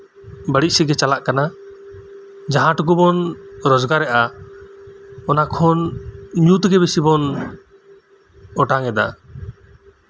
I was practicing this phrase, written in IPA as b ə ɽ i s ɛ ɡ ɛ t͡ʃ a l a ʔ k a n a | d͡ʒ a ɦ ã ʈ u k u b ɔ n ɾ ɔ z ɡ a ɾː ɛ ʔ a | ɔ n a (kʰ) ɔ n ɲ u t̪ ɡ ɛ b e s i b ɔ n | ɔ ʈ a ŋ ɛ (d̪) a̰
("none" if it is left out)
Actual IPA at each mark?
kʰ, d̪

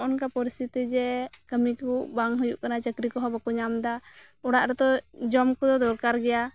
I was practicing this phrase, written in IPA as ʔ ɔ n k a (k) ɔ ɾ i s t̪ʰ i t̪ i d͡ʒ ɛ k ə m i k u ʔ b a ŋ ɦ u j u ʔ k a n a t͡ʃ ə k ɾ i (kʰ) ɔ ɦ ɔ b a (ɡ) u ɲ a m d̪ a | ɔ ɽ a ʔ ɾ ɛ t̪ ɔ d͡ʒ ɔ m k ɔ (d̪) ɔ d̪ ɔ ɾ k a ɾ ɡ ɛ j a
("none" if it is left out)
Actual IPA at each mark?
p, k, k, d̪

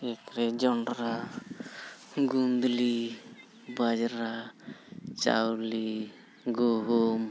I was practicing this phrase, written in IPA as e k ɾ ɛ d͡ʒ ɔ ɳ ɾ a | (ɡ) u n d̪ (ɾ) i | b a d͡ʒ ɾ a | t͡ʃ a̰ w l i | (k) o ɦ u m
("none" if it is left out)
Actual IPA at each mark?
ɡ, l, ɡ

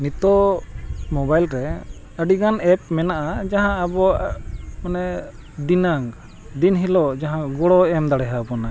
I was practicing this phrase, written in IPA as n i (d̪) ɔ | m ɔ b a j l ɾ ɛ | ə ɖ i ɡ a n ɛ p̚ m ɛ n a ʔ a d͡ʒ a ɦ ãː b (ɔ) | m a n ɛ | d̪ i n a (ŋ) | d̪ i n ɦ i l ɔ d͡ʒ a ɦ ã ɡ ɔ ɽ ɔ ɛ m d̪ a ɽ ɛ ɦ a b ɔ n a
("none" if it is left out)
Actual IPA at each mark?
t̪, ɔ, ŋ

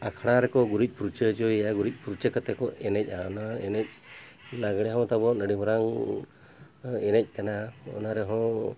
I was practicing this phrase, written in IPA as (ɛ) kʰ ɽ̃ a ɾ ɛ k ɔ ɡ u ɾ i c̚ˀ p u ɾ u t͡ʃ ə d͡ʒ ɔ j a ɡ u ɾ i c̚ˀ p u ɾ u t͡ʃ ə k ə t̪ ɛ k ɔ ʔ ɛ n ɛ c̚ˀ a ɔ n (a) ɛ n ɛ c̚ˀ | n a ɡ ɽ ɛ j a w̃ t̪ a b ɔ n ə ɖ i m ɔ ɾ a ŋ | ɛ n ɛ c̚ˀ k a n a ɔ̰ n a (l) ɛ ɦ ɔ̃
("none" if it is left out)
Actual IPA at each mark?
a, a, ɾ

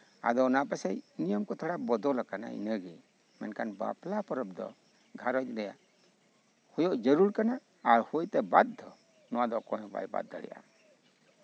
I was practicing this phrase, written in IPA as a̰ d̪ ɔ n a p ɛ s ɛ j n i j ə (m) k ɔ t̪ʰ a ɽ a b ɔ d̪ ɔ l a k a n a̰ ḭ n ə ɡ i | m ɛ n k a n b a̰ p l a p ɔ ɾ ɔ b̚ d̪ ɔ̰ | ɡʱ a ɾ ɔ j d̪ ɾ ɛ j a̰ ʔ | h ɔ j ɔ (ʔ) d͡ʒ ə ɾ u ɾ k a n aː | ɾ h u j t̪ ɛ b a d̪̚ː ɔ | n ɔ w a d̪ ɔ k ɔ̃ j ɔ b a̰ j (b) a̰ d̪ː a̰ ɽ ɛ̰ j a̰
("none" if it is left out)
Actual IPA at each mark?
m, ʔ, b

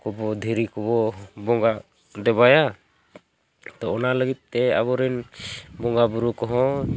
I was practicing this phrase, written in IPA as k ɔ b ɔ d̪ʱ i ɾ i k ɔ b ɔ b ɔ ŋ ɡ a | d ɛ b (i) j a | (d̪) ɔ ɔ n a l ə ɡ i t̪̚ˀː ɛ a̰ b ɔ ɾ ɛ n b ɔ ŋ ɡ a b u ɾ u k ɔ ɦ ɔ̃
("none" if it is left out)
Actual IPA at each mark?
a, t̪

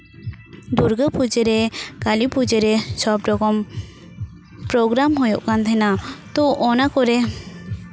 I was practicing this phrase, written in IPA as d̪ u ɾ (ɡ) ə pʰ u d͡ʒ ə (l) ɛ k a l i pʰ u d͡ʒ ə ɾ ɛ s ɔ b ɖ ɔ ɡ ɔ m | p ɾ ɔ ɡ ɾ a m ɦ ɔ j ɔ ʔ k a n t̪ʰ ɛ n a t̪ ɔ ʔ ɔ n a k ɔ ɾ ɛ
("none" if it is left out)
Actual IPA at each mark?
ɡ, ɾ

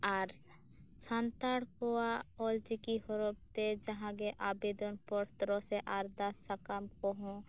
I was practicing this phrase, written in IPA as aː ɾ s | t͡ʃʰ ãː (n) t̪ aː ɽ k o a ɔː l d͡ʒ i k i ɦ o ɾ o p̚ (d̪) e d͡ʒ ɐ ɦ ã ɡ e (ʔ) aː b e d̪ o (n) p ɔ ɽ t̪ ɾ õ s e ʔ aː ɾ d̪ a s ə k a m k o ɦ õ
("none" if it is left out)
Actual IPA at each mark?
n, t̪, ʔ, n

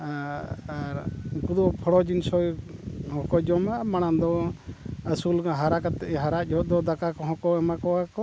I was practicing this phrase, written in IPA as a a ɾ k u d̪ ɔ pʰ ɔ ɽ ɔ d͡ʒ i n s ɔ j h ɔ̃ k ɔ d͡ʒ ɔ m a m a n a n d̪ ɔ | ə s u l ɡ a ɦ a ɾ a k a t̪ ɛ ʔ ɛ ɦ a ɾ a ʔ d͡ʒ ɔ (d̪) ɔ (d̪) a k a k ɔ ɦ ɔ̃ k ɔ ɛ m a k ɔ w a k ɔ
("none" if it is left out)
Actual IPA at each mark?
d̪, d̪

